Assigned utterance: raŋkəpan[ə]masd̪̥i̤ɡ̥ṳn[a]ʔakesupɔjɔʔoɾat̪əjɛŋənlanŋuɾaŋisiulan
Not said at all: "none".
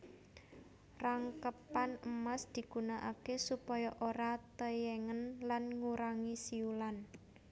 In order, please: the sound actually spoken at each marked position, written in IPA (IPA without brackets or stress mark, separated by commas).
ə, a